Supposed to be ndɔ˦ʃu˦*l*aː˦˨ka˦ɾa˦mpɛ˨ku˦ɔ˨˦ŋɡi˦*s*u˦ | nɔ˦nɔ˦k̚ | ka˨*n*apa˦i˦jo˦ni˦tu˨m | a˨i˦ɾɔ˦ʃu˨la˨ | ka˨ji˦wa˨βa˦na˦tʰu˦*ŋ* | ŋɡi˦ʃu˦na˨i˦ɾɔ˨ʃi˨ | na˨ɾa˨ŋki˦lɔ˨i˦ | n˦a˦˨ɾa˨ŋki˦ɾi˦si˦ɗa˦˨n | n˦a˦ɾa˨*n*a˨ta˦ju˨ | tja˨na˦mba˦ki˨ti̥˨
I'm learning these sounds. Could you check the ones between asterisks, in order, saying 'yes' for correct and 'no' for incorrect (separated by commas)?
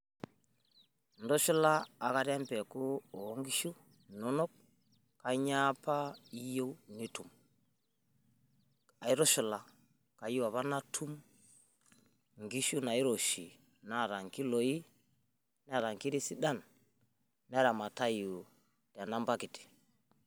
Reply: yes, no, no, no, no